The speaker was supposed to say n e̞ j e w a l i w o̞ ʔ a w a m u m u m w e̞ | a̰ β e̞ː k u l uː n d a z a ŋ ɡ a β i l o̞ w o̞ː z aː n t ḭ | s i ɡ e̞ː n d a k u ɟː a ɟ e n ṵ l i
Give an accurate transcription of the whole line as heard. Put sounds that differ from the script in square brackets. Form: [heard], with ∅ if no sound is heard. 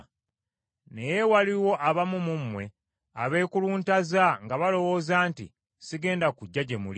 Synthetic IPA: n e̞ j e w a l i w o̞ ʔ a [β] a m u m u m w e̞ | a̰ β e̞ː k u l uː n [t] a z a ŋ ɡ a β [a] l o̞ w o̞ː z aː n t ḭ | s i ɡ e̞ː n d a k u ɟː a ɟ e [m] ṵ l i